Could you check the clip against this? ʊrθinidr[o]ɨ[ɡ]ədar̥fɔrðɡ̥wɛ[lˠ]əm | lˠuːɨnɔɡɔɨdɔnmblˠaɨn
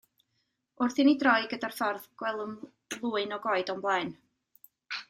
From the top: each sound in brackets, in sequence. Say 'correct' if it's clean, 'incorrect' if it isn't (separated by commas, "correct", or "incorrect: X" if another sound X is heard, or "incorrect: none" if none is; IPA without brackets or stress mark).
incorrect: ɔ, correct, correct